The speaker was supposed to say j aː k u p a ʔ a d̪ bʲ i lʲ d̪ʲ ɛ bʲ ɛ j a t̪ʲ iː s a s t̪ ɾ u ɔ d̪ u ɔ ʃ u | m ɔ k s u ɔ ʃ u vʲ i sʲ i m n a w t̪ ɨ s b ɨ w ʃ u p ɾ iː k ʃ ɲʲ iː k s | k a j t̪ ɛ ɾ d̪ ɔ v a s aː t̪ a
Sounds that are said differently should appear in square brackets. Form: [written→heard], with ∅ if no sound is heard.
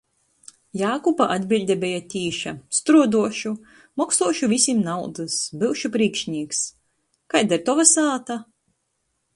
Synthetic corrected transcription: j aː k u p a ʔ a d̪ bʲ i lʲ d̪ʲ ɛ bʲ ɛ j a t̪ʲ iː [s→ʃ] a s t̪ ɾ u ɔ d̪ u ɔ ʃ u | m ɔ k s u ɔ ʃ u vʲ i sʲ i m n a w [t̪→d̪] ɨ s b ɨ w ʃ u p ɾ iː k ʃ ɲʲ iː k s | k a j [t̪→d̪] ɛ ɾ [d̪→t̪] ɔ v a s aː t̪ a